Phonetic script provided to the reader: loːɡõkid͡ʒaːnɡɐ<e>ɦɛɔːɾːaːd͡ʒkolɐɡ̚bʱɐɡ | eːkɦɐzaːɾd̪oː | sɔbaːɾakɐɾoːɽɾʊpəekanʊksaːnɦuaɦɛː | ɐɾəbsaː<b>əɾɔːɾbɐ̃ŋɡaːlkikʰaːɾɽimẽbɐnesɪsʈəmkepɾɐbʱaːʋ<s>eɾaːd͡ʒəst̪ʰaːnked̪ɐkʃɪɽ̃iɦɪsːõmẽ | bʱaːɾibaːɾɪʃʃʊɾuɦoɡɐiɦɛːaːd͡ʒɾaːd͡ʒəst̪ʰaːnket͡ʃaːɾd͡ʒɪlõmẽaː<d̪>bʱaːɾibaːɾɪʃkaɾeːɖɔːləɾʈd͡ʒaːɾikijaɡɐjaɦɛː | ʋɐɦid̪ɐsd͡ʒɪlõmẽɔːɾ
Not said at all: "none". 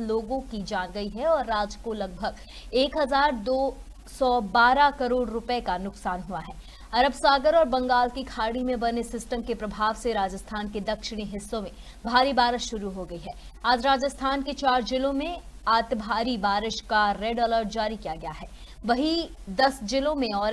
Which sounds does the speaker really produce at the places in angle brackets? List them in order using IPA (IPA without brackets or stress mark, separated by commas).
i, ɡ, s, t̪